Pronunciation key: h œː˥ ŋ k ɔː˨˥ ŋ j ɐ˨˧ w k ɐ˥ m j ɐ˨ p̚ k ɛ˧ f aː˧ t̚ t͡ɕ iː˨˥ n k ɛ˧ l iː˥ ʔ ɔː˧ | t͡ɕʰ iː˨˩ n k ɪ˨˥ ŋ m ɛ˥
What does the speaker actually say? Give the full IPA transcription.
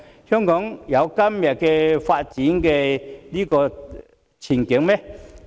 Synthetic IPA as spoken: h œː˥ ŋ k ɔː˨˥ ŋ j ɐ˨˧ w k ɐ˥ m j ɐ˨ t̚ k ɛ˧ f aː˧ t̚ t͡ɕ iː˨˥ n k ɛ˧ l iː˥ k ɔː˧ | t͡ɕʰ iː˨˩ n k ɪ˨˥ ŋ m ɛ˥

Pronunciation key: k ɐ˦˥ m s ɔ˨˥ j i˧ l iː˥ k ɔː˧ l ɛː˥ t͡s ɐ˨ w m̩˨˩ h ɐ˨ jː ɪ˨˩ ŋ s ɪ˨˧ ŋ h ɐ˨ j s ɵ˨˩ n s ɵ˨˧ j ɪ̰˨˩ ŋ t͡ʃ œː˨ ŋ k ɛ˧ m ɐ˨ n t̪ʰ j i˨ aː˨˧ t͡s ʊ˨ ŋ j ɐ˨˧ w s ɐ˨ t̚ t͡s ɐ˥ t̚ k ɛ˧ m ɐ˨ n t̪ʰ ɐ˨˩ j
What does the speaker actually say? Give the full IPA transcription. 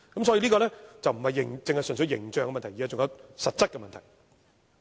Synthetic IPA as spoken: k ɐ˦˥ m s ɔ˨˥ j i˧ l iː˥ k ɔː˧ l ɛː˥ t͡s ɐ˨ w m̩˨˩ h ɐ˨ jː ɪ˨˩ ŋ t͡s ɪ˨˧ ŋ h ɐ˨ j s ɵ˨˩ n s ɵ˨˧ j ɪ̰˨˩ ŋ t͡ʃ œː˨ ŋ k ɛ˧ m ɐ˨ n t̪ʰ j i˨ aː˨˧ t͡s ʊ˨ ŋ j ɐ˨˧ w s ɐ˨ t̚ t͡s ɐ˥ t̚ k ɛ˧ m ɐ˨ n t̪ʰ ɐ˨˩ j

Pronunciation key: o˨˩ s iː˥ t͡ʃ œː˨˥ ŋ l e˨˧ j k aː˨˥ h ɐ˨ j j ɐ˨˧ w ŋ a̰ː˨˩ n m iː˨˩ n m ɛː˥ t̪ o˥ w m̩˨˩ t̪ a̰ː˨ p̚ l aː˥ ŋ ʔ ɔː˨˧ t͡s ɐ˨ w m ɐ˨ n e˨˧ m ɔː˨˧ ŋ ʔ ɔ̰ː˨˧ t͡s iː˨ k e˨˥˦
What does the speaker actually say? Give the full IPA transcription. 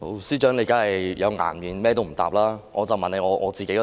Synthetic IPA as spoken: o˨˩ s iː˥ t͡ʃ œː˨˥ ŋ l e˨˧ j k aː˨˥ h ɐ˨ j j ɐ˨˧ w ŋ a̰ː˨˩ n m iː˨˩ n m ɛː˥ t̪ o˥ w m̩˨˩ t̪ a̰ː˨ p̚ l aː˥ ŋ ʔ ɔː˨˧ t͡s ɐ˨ w m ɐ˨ n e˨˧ ŋ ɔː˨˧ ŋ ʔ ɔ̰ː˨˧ t͡s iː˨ k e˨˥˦

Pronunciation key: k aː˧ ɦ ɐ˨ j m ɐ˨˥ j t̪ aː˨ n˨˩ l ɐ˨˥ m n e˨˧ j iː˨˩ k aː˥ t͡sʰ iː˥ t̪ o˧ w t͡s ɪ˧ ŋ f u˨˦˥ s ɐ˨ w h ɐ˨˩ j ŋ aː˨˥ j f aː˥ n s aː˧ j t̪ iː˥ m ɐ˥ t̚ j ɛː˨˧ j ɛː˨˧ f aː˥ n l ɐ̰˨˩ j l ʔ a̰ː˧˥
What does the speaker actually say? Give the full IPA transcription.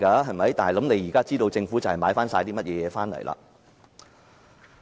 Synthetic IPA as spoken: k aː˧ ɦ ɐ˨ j m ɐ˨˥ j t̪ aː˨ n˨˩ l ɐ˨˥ m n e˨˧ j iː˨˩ k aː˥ t͡s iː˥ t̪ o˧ w t͡s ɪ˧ ŋ f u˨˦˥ t͡s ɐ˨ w h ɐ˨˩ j m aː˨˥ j f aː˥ n s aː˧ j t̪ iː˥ m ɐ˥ t̚ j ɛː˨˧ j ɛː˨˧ f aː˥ n l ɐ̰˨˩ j l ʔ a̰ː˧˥

